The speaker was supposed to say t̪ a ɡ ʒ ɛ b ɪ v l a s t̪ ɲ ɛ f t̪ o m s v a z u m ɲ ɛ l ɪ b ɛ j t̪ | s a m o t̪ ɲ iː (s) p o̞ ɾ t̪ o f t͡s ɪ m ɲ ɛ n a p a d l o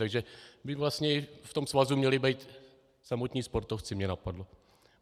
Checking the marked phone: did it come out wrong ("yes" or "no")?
no